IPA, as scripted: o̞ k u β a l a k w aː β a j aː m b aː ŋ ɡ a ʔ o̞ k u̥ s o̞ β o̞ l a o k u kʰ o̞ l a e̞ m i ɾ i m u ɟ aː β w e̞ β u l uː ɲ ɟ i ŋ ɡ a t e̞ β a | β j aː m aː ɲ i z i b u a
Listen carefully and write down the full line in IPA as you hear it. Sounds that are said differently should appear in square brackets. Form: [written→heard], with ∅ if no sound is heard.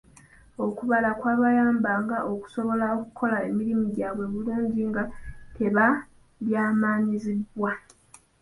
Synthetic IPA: o̞ k u β a l a k w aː β a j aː m b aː ŋ ɡ a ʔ o̞ k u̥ s o̞ β o̞ l a o k u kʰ o̞ l a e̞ m i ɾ i m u ɟ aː β w e̞ β u l uː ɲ ɟ i ŋ ɡ a t e̞ β a | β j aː m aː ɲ i z i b [u→w] a